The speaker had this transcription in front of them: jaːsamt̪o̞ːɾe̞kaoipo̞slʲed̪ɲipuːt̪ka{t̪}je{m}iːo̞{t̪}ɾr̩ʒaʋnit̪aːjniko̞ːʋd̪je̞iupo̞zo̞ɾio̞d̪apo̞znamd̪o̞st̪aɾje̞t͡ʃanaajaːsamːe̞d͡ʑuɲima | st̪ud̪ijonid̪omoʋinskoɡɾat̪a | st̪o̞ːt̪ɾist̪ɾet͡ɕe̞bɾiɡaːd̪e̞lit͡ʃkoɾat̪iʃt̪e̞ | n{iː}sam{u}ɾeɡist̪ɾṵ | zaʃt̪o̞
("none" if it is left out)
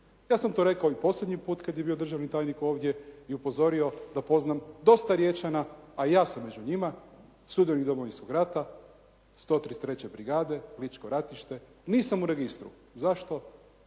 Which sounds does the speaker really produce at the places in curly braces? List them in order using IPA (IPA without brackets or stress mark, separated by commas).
d̪, b, d̪, iː, u